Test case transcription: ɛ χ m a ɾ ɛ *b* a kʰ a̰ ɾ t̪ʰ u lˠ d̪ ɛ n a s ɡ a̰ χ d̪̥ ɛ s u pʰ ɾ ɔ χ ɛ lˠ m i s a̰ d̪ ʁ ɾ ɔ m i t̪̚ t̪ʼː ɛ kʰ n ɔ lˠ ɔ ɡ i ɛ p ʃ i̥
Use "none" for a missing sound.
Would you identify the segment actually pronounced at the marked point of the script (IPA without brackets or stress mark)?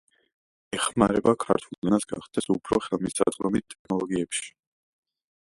b